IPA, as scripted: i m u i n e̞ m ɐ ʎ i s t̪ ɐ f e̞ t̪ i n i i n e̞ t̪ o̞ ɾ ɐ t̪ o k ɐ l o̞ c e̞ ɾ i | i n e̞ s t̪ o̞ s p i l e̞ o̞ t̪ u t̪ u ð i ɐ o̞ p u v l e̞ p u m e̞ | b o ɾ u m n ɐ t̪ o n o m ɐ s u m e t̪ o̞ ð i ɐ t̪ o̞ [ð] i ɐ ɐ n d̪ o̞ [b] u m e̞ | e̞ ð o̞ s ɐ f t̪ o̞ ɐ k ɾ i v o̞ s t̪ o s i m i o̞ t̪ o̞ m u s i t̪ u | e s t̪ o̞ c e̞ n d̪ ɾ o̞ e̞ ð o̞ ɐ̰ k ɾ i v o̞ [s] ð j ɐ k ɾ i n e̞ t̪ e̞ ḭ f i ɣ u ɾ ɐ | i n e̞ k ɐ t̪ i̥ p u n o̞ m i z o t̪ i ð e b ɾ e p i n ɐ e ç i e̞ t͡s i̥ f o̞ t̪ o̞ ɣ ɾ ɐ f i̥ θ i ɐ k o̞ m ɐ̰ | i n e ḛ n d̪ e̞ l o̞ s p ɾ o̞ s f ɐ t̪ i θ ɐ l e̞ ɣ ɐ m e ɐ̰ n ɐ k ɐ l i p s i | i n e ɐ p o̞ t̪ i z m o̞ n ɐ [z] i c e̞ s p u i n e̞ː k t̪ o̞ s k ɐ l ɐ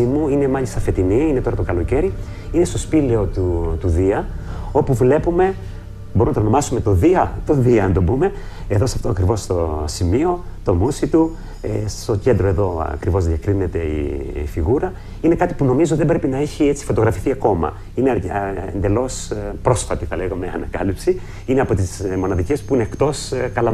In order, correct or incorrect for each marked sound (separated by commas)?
correct, correct, incorrect, incorrect